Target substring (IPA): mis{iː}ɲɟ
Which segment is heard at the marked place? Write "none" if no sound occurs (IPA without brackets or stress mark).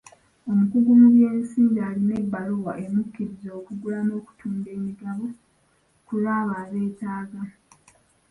iː